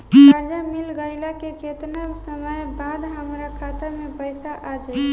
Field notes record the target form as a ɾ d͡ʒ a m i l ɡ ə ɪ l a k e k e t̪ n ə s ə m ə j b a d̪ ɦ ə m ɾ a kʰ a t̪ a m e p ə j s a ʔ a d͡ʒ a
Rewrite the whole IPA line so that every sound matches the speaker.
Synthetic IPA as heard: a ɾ d͡ʒ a m i l ɡ ə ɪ l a k e k e t̪ n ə s ə m ə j b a d̪ ɦ ə m ɾ a kʰ a t̪ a m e p ə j s a ʔ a d͡ʒ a